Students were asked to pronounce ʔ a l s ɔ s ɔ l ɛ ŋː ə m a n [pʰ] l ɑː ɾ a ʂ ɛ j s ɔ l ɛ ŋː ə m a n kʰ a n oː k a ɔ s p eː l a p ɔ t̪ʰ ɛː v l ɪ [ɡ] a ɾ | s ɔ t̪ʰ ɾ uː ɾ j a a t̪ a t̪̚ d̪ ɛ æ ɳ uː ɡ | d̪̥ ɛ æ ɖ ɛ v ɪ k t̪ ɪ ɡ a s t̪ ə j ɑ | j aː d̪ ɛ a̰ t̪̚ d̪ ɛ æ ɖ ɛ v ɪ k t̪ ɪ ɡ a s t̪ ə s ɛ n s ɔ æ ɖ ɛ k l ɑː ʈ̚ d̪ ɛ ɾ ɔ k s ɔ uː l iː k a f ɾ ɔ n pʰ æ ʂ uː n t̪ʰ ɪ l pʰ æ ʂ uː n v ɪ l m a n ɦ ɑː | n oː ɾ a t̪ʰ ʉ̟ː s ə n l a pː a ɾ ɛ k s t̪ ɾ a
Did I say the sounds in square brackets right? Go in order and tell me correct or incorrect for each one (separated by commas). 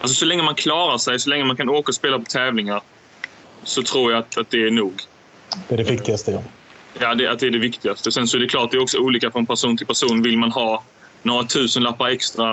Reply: incorrect, incorrect